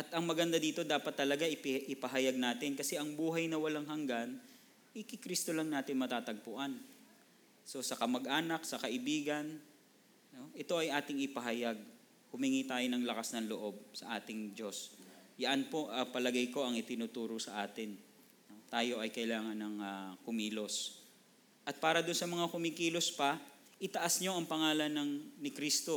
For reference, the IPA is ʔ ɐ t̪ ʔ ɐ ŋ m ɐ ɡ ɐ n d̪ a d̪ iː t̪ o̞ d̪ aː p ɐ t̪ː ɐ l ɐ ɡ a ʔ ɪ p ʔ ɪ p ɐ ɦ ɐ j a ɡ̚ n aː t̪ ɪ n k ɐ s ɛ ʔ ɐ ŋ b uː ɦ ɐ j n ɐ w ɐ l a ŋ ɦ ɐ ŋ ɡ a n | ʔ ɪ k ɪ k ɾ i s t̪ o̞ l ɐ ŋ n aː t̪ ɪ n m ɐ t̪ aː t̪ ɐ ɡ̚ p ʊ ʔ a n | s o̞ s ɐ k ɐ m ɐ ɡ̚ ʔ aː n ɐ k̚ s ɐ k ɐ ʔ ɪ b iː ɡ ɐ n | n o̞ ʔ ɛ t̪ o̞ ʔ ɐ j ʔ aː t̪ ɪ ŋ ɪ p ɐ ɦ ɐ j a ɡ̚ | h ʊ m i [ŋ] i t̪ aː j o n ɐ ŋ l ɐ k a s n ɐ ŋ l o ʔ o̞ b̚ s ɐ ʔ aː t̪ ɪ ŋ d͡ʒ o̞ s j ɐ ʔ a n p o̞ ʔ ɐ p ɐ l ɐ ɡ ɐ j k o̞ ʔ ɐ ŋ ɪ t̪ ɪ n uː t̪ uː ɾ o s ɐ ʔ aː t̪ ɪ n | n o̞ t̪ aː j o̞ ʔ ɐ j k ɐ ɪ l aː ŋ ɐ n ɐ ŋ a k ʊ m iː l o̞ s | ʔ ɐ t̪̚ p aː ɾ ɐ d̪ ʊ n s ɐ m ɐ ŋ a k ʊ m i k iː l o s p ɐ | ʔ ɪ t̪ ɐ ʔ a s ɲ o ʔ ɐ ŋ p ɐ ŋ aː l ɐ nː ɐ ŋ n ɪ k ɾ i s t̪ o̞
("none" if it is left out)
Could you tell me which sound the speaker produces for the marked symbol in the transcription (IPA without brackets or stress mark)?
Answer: ŋ